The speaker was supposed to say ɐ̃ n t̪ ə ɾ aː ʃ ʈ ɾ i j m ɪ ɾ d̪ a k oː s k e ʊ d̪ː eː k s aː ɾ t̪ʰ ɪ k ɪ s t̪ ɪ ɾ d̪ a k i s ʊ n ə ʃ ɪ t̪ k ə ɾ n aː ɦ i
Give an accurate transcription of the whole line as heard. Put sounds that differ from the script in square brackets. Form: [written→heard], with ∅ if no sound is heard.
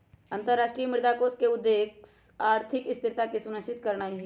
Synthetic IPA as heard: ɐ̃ n t̪ ə ɾ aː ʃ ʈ ɾ i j m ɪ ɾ d̪ a k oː s k e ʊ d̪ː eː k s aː ɾ t̪ʰ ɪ k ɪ s t̪ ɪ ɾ [d̪→t̪] a k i s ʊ n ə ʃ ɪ t̪ k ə ɾ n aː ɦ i

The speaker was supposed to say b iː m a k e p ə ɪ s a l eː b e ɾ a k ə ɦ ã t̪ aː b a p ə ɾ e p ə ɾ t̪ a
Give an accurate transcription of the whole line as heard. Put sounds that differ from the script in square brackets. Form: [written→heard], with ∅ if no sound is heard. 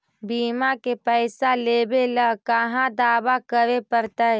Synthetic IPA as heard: b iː m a k e p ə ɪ s a l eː b e [ɾ→l] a k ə ɦ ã [t̪→d̪] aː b a [p→k] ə ɾ e p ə ɾ t̪ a

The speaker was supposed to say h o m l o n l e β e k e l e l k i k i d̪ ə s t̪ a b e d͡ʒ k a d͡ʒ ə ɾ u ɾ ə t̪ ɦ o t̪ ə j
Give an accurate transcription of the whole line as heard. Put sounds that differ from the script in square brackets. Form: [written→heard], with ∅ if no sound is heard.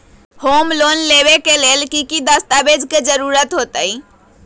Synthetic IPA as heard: h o m l o n l e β e k e l e l k i k i d̪ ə s t̪ a b e d͡ʒ k [a→e] d͡ʒ ə ɾ u ɾ ə t̪ ɦ o t̪ ə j

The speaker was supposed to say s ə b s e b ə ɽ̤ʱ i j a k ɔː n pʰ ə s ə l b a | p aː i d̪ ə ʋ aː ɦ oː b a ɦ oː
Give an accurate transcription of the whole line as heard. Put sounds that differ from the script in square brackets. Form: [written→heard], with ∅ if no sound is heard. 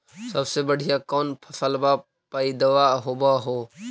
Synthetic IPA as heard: s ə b s e b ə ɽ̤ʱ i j a k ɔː n pʰ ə s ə l b a | p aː i d̪ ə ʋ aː ɦ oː b a ɦ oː

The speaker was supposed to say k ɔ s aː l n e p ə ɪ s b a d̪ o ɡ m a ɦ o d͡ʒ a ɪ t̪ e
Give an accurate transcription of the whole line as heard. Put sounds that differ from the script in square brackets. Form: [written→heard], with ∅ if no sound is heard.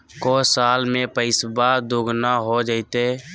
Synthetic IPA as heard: k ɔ s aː l [n→m] e p ə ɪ s b a d̪ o ɡ [m→n] a ɦ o d͡ʒ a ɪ t̪ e

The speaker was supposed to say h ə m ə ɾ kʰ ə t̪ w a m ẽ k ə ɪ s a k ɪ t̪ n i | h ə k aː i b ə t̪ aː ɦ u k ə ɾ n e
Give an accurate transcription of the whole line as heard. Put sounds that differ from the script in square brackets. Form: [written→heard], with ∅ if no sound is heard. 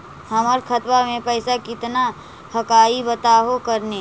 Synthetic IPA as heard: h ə m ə ɾ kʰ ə t̪ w a m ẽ [k→p] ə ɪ s a k ɪ t̪ n [i→a] | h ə k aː i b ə t̪ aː ɦ [u→o] k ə ɾ n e

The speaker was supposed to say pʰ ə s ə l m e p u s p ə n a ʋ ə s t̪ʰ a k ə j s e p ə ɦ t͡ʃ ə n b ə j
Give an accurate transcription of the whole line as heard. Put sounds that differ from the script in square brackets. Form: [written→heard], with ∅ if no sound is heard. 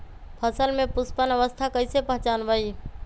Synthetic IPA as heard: pʰ ə s ə l m e p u s p ə n [a→ə] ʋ ə s t̪ʰ a k ə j s e p ə ɦ t͡ʃ [ə→a] n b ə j

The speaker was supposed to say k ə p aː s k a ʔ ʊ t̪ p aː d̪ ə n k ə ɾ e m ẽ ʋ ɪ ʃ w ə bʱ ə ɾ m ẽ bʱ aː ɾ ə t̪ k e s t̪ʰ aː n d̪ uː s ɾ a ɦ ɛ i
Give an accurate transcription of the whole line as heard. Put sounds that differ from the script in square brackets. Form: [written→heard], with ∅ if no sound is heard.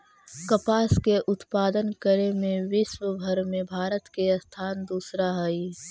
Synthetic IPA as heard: k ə p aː s k [a→e] ʔ ʊ t̪ p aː d̪ ə n k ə ɾ e m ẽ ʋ ɪ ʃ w ə bʱ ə ɾ m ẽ bʱ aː ɾ ə t̪ k e s t̪ʰ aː n d̪ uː s ɾ a ɦ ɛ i

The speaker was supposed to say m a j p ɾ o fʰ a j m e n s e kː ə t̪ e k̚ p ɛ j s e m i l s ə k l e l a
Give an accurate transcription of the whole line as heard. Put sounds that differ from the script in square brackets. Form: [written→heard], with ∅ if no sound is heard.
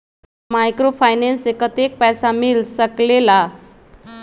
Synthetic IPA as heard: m a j [p→k] ɾ o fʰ a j [m→n] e n s e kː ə t̪ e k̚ p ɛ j s [e→a] m i l s ə k l e l a

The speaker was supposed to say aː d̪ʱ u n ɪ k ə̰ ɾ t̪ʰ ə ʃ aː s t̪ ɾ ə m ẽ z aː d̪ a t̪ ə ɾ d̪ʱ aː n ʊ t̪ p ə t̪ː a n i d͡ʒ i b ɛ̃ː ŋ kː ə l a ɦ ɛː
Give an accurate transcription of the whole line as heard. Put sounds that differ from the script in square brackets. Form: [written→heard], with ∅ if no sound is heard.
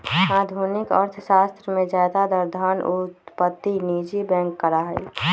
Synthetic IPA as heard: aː d̪ʱ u n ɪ k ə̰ ɾ t̪ʰ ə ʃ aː s t̪ ɾ ə m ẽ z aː d̪ a [t̪→d̪] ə ɾ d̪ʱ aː n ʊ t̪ p ə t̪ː [a→i] n i d͡ʒ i b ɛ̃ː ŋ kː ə [l→ɾ] a ɦ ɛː

